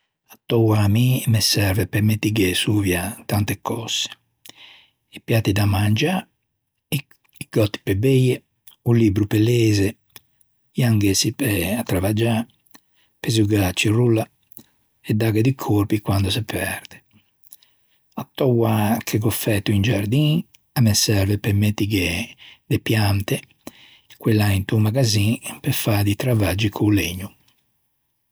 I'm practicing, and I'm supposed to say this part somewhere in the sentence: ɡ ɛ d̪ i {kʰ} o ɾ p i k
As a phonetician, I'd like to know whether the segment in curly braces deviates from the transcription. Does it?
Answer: no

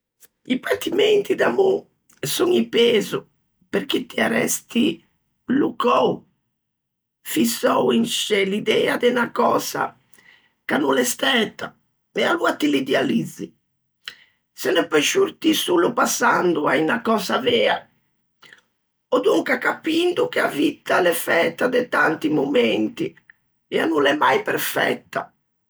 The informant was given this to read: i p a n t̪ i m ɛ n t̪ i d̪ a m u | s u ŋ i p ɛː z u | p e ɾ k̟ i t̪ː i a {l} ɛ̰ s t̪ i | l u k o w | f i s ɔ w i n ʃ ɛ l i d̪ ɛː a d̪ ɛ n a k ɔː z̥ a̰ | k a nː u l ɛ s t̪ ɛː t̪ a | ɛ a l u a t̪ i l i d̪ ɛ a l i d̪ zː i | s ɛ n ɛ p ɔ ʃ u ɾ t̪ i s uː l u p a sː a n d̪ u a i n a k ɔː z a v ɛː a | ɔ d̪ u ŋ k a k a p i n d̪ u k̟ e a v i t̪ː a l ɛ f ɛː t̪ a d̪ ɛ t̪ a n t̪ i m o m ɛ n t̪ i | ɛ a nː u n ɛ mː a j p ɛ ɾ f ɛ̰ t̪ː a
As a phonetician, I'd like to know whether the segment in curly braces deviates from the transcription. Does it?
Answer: yes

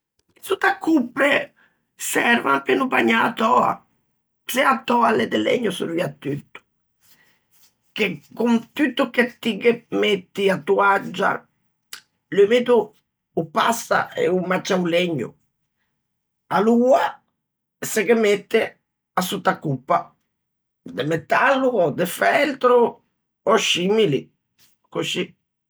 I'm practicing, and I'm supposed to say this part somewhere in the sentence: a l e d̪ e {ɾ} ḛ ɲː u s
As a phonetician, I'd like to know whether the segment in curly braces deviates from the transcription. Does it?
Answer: yes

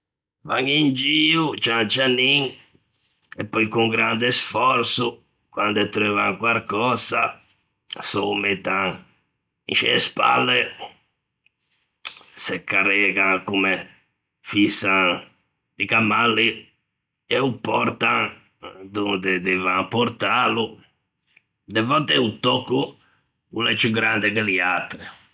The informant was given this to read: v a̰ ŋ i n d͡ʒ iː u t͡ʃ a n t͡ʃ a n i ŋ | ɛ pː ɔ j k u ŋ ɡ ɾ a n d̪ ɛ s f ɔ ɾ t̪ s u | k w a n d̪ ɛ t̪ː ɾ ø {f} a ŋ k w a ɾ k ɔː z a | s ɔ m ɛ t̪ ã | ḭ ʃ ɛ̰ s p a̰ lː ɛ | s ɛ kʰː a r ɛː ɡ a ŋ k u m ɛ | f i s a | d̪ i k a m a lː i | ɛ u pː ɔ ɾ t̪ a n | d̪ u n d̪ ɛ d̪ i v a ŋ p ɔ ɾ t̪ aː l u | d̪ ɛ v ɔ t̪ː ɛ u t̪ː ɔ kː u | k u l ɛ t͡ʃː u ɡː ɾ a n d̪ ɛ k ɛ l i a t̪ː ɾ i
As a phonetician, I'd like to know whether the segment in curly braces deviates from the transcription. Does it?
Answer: yes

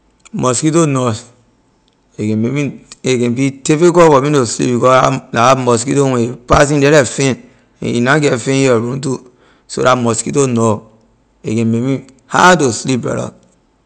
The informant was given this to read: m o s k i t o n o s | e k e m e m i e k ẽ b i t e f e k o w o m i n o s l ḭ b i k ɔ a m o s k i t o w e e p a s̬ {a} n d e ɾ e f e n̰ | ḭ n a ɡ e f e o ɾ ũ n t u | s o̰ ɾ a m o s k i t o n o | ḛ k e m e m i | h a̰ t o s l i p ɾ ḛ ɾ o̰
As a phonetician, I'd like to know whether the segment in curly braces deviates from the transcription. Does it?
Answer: yes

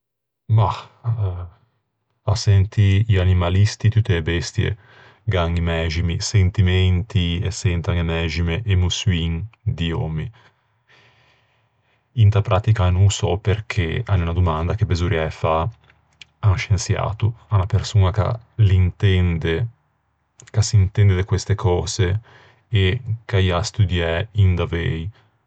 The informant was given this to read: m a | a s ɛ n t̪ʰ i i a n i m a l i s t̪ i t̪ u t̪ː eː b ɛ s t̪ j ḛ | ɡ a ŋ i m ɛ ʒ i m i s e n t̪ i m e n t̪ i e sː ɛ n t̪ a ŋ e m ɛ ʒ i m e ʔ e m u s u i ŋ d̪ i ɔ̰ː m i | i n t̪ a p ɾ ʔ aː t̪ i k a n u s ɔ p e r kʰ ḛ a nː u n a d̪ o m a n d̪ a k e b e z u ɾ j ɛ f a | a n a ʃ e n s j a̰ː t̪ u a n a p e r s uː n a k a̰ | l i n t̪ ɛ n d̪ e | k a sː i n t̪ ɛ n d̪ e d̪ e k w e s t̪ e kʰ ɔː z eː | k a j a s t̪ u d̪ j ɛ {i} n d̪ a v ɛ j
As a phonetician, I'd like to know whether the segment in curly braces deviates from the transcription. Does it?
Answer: no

